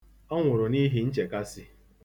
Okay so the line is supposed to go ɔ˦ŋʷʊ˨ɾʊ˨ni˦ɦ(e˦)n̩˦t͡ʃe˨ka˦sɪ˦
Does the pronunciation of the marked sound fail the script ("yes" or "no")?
yes